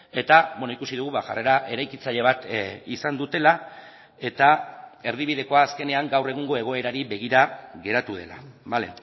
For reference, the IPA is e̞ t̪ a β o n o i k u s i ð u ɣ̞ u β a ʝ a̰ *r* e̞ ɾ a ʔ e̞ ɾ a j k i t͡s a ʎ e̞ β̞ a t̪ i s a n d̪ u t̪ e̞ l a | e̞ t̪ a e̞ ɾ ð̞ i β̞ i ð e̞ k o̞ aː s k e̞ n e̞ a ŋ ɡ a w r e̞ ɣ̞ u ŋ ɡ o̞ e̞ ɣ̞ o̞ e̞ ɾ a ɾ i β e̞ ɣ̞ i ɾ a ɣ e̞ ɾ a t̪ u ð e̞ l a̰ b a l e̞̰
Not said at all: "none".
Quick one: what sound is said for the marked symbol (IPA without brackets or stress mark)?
r